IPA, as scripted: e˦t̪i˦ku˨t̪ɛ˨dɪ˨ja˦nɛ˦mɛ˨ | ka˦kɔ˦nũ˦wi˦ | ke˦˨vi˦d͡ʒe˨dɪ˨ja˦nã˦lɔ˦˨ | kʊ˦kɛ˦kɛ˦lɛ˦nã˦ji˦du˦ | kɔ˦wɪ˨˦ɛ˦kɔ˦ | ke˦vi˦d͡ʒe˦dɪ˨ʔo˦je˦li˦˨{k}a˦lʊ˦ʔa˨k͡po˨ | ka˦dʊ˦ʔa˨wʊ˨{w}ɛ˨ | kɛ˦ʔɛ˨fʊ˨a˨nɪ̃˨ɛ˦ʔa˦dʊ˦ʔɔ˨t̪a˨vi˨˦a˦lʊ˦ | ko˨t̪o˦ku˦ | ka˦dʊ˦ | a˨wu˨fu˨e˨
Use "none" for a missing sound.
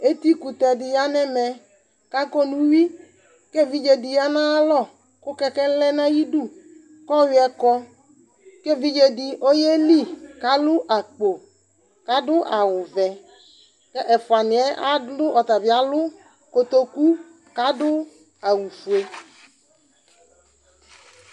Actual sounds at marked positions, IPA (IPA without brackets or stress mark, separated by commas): k, v